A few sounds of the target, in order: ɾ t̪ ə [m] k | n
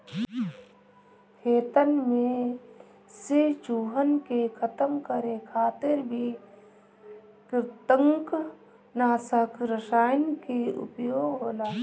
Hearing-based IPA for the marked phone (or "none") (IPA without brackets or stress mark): ŋ